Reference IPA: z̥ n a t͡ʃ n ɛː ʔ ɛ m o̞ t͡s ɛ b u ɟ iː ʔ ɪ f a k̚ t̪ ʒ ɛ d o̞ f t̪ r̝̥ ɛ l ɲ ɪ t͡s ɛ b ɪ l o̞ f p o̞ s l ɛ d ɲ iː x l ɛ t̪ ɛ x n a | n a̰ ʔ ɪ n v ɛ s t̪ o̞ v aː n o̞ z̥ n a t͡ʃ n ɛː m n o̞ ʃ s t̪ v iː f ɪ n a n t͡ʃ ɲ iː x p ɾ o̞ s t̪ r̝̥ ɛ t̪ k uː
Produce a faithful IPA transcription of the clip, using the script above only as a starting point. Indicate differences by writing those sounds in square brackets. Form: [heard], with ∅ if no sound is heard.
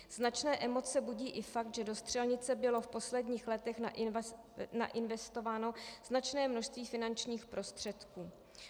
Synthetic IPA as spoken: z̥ n a t͡ʃ n ɛː ʔ ɛ m o̞ t͡s ɛ b u ɟ iː ʔ ɪ f a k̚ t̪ ʒ ɛ d o̞ [s] t̪ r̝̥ ɛ l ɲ ɪ t͡s ɛ b ɪ l o̞ f p o̞ s l ɛ d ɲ iː x l ɛ t̪ ɛ x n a | n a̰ ʔ ɪ n v ɛ s t̪ o̞ v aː n o̞ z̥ n a t͡ʃ n ɛː m n o̞ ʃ s t̪ v iː f ɪ n a n t͡ʃ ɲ iː x p ɾ o̞ s t̪ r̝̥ ɛ t̪ k uː